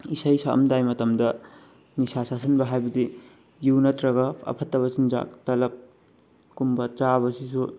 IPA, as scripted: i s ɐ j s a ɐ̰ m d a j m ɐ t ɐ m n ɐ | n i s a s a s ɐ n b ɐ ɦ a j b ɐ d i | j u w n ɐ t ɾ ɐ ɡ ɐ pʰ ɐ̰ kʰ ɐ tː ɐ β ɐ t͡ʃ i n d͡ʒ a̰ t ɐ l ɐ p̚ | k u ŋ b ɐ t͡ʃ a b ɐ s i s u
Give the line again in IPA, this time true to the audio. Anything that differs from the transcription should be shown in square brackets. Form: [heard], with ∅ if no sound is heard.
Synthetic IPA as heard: i s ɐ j s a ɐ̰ m d a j m ɐ t ɐ m [d] ɐ | n i s a s a s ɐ n b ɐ ɦ a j b ɐ d i | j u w n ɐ t ɾ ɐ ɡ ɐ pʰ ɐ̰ [pʰ] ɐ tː ɐ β ɐ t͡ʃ i n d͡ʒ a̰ t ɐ l ɐ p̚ | k u [m] b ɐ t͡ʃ a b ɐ s i s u